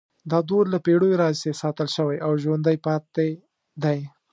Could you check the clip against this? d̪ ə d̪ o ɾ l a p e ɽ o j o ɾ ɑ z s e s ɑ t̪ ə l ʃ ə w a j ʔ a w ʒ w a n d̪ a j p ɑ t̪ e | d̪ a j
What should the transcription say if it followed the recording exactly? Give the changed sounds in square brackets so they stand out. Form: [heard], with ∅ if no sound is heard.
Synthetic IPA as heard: d̪ [ɑ] d̪ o ɾ l a p e ɽ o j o ɾ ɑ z s e s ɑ t̪ ə l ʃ ə w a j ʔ a w ʒ w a n d̪ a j p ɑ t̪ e | d̪ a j